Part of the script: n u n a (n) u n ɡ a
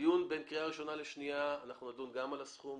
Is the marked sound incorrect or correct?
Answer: incorrect